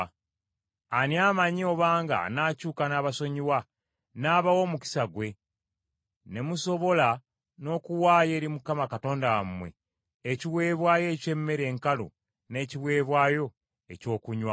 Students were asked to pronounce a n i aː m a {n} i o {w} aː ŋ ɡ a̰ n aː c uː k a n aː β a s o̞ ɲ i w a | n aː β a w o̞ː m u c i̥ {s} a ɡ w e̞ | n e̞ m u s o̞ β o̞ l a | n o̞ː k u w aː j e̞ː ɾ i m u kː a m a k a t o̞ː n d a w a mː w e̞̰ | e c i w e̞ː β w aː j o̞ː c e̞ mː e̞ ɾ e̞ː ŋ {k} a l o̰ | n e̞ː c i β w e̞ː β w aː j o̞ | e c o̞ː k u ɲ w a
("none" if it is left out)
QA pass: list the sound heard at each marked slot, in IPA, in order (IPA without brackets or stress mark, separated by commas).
ɲ, β, s, k